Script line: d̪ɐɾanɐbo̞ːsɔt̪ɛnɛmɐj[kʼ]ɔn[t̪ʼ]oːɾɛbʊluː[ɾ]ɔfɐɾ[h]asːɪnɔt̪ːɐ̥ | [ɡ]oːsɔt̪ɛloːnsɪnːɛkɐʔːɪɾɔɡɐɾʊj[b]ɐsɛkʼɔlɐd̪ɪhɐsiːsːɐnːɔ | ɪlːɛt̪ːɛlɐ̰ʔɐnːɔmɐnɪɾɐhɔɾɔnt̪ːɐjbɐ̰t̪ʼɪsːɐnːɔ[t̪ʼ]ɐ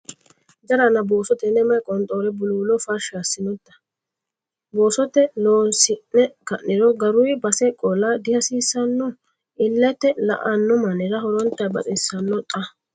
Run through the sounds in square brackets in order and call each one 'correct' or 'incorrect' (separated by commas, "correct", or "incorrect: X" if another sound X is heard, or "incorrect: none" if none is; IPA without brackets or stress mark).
correct, correct, incorrect: l, incorrect: ʃ, incorrect: b, correct, correct